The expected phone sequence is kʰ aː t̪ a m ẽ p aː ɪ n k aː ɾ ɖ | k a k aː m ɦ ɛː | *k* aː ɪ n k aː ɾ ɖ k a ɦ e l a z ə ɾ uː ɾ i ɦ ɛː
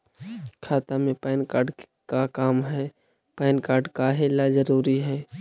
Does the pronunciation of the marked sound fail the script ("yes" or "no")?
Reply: yes